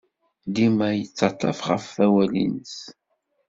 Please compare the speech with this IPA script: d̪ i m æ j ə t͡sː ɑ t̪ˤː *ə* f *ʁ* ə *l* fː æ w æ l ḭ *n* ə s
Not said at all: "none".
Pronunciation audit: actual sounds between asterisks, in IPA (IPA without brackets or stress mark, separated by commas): ɑ, ʁ, none, n